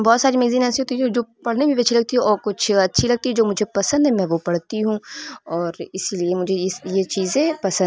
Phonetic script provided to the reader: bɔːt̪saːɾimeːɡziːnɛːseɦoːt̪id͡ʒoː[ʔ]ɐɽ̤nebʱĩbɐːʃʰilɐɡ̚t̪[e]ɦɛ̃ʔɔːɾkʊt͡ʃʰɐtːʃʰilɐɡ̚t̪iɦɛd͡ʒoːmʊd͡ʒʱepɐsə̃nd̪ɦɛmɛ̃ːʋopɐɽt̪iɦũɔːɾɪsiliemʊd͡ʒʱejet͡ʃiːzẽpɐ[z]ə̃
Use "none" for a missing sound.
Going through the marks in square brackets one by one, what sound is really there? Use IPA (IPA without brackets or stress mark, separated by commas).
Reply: p, i, s